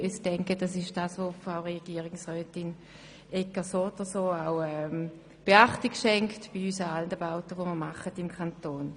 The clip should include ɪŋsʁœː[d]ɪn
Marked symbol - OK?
no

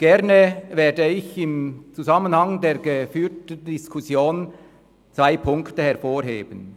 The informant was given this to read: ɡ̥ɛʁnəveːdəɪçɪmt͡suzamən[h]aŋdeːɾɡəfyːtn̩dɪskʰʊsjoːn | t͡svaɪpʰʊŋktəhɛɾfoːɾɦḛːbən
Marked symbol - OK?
yes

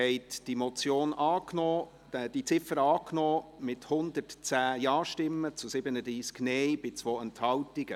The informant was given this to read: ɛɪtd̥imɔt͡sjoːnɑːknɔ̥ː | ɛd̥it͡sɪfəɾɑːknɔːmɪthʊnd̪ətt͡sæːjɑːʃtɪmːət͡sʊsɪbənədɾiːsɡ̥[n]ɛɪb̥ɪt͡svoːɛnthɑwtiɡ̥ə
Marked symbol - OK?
yes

